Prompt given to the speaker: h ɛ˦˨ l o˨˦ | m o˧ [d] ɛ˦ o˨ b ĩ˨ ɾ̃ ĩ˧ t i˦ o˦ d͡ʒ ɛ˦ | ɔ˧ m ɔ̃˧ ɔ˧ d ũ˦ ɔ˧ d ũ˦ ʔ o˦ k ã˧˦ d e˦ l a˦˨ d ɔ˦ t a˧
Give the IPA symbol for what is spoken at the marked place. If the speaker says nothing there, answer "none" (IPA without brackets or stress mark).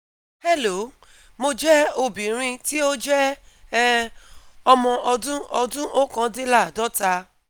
d͡ʒ